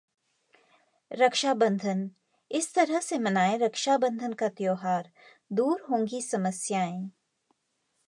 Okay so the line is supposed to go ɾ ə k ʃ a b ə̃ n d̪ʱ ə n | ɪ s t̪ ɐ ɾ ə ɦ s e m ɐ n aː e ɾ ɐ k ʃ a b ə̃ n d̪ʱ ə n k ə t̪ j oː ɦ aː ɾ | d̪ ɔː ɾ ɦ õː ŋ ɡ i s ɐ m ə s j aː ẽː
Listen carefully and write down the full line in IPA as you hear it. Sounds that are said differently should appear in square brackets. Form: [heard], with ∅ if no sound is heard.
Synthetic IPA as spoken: ɾ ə k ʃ a b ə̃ n d̪ʱ ə n | ɪ s t̪ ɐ ɾ ə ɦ s e m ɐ n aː e ɾ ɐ k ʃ a b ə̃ n d̪ʱ ə n k [a] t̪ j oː ɦ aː ɾ | d̪ [uː] ɾ ɦ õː ŋ ɡ i s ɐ m ə s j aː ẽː